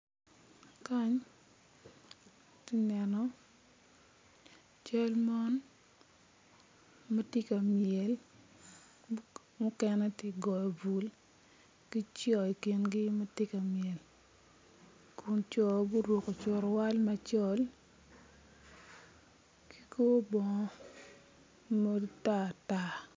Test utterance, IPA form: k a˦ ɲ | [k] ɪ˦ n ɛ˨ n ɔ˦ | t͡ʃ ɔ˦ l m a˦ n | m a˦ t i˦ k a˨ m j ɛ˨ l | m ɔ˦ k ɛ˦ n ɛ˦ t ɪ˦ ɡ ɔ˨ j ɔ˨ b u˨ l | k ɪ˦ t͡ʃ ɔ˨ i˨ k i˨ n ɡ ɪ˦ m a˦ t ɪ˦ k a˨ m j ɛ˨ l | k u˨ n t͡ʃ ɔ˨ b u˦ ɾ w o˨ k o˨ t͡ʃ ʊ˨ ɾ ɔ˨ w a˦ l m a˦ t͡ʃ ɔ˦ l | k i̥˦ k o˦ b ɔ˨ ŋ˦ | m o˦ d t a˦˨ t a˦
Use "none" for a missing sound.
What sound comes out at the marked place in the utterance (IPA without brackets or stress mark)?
t